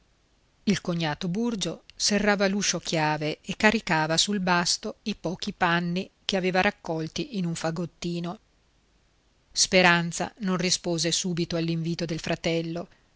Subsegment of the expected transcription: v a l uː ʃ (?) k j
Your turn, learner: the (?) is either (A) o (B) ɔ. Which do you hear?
A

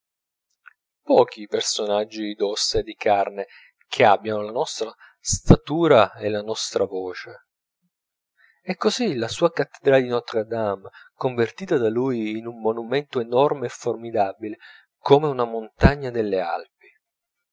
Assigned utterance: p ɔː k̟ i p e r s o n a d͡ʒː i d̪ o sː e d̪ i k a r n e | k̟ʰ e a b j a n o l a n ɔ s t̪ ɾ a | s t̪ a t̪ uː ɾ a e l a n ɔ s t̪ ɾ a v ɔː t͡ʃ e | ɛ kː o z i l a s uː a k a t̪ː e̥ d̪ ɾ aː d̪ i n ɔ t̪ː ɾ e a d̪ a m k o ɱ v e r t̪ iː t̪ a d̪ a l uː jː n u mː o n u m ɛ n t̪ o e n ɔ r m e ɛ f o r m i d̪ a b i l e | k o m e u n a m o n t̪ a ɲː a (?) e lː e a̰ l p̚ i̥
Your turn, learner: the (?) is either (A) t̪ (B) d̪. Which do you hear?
B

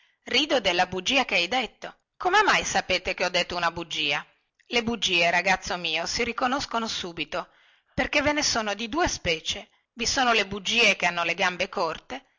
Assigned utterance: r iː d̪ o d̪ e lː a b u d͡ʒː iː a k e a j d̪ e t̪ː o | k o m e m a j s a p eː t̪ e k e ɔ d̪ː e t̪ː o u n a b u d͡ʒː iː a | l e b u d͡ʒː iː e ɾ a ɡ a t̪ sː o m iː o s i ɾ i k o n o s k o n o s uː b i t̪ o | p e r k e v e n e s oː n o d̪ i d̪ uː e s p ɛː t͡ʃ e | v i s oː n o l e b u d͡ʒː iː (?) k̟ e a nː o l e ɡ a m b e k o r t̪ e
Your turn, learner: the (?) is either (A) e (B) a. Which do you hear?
A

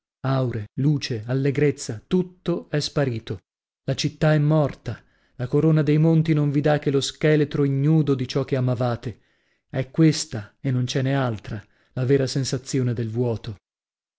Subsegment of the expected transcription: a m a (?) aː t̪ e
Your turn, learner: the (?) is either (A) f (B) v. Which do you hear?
B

